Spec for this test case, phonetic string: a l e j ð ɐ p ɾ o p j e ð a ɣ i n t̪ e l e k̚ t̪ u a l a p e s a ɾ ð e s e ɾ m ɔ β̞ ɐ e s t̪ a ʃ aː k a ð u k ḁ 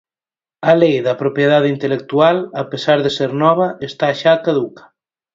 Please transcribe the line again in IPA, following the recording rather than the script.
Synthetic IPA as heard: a l e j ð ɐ p ɾ o p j e ð a ð i n t̪ e l e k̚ t̪ u a l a p e s a ɾ ð e s e ɾ n ɔ β̞ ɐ e s t̪ a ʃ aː k a ð u k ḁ